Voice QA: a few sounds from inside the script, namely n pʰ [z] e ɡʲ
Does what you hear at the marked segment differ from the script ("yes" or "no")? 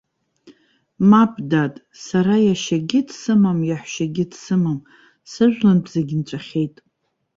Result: no